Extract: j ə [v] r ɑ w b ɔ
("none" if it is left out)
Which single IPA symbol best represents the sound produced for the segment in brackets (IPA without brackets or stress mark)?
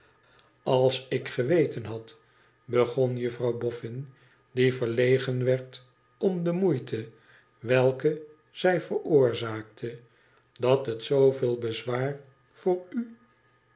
f